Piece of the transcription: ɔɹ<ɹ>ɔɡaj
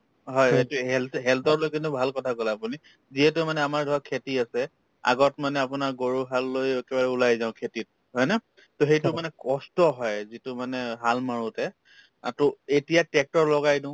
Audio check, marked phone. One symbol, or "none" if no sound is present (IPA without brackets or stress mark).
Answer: l